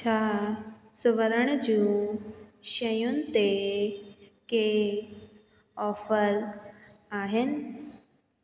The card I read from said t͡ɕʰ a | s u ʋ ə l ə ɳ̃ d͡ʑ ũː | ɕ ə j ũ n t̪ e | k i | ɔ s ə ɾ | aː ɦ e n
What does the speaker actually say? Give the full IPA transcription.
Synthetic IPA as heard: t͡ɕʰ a | s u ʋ ə ɾ ə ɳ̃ d͡ʑ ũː | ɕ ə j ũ n t̪ e | k e | ɔ f ə ɾ | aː ɦ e n